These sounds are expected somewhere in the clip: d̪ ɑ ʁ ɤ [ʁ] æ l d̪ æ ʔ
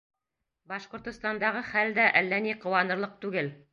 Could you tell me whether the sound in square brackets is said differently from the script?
yes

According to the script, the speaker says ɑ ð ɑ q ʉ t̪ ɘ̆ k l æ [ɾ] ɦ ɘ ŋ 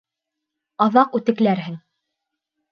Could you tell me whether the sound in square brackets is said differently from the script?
no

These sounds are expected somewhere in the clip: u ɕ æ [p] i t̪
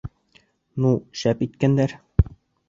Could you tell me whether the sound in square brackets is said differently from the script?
no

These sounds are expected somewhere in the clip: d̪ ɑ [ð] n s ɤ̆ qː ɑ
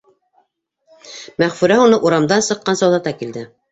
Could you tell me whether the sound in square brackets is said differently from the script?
yes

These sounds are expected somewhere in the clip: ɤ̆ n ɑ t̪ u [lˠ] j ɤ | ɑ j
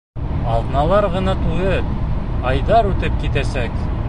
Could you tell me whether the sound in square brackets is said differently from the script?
yes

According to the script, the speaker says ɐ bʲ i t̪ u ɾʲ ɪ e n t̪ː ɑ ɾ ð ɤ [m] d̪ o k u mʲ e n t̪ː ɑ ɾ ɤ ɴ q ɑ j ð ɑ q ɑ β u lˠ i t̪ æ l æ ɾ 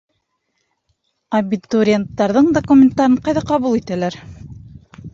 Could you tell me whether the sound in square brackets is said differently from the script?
yes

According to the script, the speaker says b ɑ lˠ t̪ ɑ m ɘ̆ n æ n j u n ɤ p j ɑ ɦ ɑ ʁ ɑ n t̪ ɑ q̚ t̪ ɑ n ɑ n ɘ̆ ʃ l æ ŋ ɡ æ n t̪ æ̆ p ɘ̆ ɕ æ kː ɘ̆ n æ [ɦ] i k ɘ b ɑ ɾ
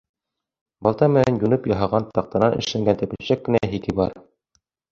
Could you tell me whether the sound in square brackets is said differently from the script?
no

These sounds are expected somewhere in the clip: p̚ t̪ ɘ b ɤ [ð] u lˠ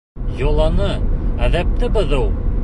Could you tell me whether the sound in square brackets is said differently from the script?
no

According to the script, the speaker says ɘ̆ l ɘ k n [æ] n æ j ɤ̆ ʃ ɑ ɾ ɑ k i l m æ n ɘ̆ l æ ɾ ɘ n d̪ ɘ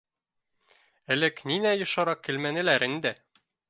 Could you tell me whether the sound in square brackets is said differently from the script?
yes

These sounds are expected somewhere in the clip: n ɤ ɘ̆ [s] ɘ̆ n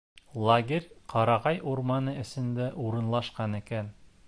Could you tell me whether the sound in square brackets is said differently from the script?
no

